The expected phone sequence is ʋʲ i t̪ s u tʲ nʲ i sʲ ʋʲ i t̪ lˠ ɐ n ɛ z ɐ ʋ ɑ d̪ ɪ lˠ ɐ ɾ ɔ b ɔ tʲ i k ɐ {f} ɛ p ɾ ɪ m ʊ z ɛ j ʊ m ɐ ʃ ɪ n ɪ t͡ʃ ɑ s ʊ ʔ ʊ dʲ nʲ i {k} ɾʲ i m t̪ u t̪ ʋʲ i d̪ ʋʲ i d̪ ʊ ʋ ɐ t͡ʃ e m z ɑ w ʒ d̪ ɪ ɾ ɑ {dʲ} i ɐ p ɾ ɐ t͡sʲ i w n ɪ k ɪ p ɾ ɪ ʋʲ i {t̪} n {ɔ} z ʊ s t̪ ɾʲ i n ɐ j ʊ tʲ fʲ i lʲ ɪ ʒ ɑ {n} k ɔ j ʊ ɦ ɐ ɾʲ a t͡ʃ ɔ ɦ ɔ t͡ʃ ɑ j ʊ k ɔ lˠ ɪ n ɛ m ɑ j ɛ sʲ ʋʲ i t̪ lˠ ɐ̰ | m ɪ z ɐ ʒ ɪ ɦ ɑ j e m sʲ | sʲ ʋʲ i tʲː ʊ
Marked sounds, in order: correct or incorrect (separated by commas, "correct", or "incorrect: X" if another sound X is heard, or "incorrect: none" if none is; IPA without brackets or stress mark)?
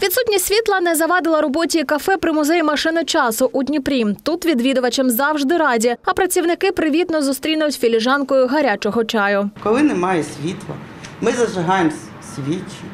correct, incorrect: p, correct, correct, correct, correct